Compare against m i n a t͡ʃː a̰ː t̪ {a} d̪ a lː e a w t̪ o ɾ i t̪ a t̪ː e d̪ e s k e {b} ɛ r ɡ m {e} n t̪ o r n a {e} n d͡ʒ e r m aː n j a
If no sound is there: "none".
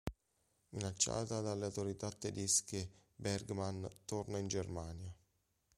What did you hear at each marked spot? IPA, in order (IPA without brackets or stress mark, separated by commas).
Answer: a, b, a, i